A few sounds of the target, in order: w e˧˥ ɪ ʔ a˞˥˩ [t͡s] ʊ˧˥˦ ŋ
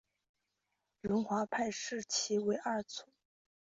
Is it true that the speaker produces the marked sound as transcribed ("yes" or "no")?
no